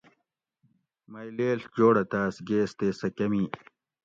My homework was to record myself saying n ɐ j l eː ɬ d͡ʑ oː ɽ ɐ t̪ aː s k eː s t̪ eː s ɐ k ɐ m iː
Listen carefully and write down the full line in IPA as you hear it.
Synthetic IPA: m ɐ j l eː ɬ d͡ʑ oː ɽ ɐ t̪ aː s ɡ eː s t̪ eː s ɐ k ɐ m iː